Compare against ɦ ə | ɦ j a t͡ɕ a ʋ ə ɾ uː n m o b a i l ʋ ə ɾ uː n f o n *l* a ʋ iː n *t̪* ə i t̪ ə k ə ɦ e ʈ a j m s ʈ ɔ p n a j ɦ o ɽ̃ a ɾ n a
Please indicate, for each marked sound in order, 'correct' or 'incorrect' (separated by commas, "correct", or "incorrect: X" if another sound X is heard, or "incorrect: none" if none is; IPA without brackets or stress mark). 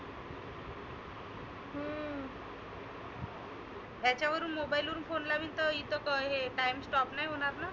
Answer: correct, correct